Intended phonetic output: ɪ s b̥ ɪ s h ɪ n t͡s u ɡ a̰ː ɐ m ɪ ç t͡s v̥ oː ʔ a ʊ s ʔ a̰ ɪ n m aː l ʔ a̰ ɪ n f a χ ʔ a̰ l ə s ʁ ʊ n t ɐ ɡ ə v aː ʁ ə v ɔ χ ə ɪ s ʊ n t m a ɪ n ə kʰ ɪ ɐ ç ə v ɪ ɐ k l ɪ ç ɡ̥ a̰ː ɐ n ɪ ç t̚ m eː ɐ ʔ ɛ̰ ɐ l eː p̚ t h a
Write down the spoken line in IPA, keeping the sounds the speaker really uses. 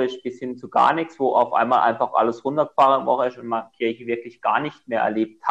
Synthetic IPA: ɪ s b̥ ɪ s h ɪ n t͡s u ɡ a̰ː ɐ n ɪ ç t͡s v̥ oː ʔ a ʊ f ʔ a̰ ɪ n m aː l ʔ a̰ ɪ n f a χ ʔ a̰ l ə s ʁ ʊ n t ɐ ɡ ə f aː ʁ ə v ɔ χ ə ɪ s ʊ n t m a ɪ n ə kʰ ɪ ɐ ç ə v ɪ ɐ k l ɪ ç ɡ̥ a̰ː ɐ n ɪ ç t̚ m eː ɐ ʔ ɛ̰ ɐ l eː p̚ t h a